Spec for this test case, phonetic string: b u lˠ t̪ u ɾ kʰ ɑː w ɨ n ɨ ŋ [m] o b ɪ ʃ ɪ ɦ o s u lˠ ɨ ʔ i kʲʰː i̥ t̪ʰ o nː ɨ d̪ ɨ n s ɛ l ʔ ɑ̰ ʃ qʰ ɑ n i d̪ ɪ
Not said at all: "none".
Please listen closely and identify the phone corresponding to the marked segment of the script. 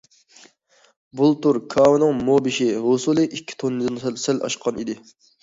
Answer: m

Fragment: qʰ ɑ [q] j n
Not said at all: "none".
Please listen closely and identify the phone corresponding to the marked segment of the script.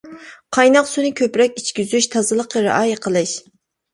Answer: none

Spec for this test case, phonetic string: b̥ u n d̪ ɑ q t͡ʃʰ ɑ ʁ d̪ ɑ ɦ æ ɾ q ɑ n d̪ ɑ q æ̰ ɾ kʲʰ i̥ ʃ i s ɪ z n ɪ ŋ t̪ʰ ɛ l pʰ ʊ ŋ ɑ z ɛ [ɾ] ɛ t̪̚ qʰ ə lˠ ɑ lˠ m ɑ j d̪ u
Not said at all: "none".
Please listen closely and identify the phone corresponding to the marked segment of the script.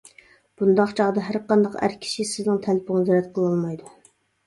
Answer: ɾ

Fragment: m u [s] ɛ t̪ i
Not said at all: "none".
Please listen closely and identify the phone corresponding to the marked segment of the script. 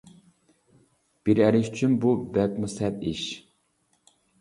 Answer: s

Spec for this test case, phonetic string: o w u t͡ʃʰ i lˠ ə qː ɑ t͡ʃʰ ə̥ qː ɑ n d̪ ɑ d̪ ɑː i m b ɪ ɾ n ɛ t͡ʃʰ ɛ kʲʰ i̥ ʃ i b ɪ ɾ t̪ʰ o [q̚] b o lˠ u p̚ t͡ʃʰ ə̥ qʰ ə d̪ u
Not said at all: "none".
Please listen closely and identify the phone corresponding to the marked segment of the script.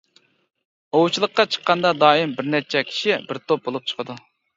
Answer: p̚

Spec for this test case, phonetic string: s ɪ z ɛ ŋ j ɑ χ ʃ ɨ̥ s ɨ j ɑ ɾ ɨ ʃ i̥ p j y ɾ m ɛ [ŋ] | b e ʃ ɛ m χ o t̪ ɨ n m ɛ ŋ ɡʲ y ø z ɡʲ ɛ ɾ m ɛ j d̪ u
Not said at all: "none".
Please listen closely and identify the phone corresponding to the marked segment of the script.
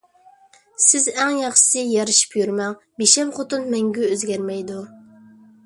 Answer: ŋ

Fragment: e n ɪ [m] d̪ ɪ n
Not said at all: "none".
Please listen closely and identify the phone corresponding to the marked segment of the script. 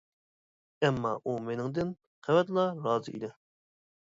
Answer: ŋ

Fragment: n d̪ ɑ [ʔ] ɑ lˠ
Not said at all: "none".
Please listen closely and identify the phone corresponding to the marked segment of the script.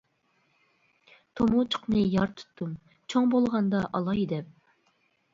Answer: ʔ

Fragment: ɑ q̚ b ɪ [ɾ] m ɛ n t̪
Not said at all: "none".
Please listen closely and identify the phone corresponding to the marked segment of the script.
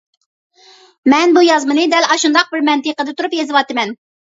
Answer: ɾ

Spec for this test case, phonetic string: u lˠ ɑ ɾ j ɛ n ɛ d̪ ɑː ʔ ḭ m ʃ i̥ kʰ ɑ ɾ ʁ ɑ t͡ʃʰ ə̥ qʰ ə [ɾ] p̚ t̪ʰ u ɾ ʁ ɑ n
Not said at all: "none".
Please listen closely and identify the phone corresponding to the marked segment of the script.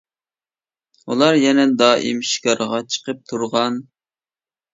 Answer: none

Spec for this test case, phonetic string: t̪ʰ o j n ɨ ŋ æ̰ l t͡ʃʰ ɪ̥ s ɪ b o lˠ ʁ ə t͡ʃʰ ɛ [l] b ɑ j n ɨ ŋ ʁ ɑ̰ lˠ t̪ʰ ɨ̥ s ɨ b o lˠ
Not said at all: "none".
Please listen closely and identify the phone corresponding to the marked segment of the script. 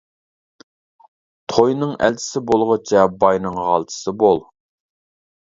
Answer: none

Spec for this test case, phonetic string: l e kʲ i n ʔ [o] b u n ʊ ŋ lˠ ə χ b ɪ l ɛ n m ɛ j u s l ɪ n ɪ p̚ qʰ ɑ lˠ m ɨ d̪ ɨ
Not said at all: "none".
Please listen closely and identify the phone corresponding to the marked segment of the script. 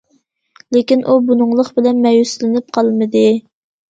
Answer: u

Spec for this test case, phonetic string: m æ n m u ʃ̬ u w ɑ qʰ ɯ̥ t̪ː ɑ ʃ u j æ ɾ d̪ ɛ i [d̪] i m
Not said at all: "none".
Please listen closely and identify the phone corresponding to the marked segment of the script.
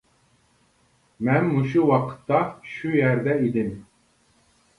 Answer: d̪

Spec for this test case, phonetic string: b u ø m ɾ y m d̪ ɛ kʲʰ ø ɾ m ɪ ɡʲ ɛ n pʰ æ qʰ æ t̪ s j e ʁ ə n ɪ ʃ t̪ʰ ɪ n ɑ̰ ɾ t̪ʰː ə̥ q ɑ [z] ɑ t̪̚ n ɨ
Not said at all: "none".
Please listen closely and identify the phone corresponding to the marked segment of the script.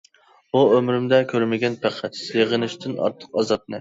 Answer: z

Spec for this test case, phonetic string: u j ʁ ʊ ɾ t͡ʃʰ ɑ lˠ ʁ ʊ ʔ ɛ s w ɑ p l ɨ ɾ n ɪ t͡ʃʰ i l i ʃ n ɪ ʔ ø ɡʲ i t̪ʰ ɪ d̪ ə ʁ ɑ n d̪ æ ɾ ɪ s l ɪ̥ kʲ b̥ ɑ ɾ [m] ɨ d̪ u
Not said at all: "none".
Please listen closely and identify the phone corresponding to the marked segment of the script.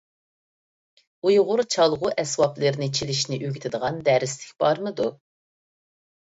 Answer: m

